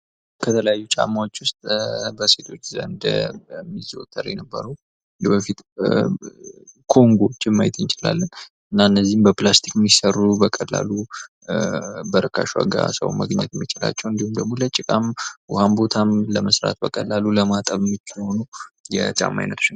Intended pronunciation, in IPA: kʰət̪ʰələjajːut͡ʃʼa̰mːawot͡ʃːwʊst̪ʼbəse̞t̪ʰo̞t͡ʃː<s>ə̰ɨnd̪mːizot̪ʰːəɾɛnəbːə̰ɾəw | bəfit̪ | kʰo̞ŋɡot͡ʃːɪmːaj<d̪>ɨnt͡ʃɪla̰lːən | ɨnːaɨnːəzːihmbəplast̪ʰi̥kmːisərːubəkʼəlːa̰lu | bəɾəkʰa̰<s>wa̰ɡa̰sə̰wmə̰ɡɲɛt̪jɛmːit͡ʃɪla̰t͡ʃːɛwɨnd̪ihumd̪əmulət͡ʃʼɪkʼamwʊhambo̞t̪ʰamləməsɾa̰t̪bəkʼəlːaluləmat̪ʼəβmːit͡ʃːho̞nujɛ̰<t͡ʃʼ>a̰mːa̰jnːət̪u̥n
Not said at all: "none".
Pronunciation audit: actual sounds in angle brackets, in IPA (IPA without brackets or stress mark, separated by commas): z, t̪, ʃ, t͡ʃʼ